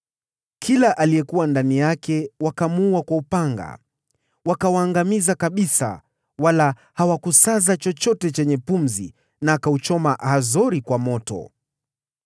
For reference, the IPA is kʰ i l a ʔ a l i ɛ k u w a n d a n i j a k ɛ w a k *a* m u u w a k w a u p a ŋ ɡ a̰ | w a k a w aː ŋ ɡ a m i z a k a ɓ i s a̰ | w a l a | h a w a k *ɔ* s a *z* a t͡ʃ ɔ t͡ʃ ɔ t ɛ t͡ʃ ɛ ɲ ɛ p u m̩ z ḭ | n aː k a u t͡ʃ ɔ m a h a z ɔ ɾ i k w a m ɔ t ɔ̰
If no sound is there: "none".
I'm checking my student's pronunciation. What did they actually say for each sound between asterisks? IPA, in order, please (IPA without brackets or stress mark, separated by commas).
a, u, z